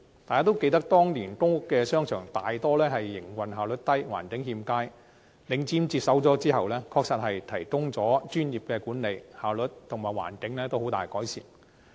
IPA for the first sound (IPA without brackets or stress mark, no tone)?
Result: t̪